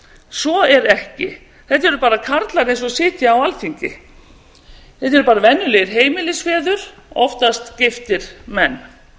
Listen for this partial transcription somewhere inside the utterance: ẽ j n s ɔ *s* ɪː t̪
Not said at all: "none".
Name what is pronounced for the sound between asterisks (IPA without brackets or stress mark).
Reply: s